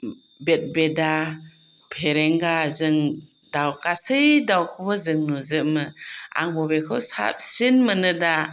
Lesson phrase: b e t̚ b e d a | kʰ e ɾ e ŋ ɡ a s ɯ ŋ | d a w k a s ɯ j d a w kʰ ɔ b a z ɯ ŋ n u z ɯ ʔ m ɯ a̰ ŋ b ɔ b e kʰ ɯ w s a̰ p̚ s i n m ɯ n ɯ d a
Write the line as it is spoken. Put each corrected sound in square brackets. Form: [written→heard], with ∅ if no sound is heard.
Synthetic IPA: b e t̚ b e d a | [kʰ→pʰ] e ɾ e ŋ ɡ a [s→z] ɯ ŋ | d a w k a s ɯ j d a w kʰ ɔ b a z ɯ ŋ n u z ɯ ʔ m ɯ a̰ ŋ b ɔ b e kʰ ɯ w s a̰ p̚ s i n m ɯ n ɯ d a